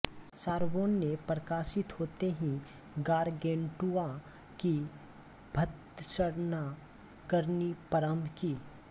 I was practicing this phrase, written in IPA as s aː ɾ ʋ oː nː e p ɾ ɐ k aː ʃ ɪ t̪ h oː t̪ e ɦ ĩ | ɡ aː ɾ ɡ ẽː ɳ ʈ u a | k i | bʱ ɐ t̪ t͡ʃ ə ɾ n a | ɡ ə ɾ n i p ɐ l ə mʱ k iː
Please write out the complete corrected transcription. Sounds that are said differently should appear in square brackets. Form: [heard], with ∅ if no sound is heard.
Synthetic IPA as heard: s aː ɾ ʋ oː nː e p ɾ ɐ k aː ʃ ɪ t̪ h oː t̪ e ɦ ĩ | ɡ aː ɾ ɡ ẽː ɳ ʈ u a | k i | bʱ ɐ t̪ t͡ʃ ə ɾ n a | [k] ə ɾ n i p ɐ [ɾ] ə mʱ k iː